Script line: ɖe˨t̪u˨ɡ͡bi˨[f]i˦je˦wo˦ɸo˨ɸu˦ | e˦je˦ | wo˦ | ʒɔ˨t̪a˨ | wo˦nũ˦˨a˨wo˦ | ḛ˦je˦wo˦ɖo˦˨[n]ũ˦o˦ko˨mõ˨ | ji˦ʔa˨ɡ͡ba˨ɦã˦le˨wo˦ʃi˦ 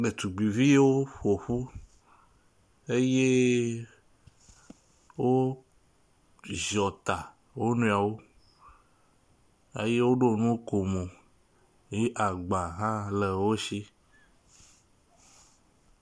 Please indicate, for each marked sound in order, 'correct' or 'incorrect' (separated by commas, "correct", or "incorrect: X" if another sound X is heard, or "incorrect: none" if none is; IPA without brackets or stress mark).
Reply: incorrect: v, correct